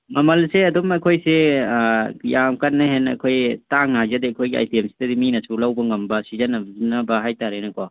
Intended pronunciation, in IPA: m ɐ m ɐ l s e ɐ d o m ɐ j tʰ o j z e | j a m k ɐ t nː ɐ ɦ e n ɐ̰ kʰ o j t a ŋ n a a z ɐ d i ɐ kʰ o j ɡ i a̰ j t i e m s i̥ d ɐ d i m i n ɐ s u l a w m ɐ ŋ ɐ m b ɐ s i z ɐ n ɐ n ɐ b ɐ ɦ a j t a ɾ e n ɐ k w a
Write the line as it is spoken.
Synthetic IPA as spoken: m ɐ m ɐ l s e ɐ d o m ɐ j kʰ o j s e | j a m k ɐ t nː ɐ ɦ e n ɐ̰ kʰ o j t a ŋ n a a z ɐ d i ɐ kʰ o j ɡ i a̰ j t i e m s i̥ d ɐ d i m i n ɐ s u l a w b ɐ ŋ ɐ m b ɐ s i z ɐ n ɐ n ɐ b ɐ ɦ a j t a ɾ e n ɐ k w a